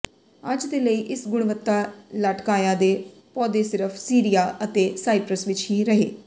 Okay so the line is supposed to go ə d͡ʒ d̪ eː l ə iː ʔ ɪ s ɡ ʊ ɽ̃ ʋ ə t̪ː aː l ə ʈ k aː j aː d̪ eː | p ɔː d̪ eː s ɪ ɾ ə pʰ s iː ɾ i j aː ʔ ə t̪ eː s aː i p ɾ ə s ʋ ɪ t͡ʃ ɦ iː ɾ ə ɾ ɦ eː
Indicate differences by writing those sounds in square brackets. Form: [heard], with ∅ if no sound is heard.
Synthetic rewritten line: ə d͡ʒ d̪ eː l ə iː ʔ ɪ s ɡ ʊ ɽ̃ ʋ ə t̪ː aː l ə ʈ k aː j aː d̪ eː | p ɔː d̪ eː s ɪ ɾ ə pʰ s iː ɾ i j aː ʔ ə t̪ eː s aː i p ɾ ə s ʋ ɪ t͡ʃ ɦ iː ɾ ə [∅] ɦ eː